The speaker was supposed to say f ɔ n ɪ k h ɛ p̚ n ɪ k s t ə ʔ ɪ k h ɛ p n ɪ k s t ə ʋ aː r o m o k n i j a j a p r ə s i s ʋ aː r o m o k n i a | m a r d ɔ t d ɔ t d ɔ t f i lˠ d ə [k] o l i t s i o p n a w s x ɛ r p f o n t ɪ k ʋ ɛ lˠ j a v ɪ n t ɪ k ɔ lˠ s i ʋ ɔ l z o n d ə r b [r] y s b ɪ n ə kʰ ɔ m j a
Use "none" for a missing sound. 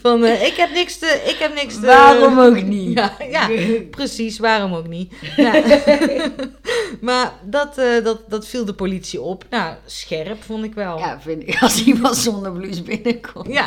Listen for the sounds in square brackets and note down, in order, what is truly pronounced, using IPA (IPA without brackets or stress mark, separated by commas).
p, l